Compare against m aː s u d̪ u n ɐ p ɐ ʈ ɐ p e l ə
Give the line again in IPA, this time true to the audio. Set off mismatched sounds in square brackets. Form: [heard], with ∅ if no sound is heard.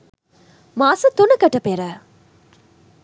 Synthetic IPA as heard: m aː s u [t̪] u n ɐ [k] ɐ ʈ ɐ p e [ɾ] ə